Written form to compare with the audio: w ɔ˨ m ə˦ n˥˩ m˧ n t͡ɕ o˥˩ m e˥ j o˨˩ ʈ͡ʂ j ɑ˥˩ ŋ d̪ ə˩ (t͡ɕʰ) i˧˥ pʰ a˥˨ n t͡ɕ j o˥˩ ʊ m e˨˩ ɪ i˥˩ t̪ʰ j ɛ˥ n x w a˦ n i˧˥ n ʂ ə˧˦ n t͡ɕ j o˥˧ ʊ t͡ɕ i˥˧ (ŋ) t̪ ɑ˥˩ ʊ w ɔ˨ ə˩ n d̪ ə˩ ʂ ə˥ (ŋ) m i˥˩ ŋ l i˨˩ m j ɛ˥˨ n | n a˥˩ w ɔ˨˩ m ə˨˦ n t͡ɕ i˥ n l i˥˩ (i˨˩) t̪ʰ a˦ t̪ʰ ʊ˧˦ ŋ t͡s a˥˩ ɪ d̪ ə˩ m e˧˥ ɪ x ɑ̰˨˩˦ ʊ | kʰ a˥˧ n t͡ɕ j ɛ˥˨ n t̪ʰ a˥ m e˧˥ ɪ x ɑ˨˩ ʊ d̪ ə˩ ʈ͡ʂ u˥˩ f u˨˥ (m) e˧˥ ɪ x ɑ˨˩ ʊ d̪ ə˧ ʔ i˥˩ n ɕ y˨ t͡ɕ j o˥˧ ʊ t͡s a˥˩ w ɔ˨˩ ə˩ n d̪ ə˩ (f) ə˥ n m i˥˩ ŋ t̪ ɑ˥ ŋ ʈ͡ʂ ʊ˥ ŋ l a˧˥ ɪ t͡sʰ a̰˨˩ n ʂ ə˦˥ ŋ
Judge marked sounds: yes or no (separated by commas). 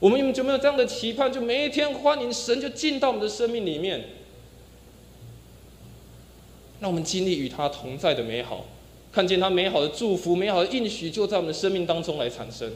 yes, no, no, no, yes, no